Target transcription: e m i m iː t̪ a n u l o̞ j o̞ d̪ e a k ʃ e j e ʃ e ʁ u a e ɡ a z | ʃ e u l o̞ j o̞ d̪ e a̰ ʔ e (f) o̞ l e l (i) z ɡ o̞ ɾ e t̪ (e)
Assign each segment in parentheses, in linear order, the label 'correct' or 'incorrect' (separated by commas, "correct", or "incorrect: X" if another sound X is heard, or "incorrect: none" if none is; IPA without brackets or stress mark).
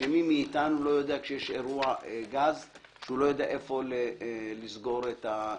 correct, correct, incorrect: a